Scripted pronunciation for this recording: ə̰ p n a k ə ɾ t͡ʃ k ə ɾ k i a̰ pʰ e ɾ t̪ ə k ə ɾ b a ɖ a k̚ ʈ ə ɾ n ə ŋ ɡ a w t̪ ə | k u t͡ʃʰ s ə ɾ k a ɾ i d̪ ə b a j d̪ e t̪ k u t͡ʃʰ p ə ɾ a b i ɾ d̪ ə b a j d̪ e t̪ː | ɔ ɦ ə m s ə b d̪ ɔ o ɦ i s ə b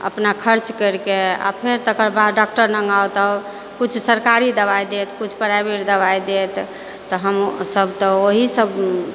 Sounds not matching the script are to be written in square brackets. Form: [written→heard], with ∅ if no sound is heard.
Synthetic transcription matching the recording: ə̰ p n a [k→kʰ] ə ɾ t͡ʃ k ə ɾ k [i→e] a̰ pʰ e ɾ t̪ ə k ə ɾ b a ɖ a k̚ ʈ ə ɾ n ə ŋ ɡ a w t̪ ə | k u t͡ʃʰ s ə ɾ k a ɾ i d̪ ə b a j d̪ e t̪ k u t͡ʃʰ p ə ɾ a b i ɾ d̪ ə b a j d̪ e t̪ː | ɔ ɦ ə m s ə b [d̪→t̪] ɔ o ɦ i s ə b